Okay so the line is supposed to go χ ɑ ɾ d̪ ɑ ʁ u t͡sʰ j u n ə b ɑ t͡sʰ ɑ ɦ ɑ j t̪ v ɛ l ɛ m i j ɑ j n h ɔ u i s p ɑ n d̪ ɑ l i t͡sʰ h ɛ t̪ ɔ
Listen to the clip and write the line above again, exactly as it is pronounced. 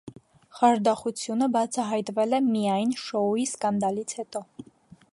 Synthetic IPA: χ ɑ ɾ d̪ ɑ χ u t͡sʰ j u n ə b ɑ t͡sʰ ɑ ɦ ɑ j t̪ v ɛ l ɛ m i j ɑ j n ʃ ɔ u i s k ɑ n d̪ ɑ l i t͡sʰ h ɛ t̪ ɔ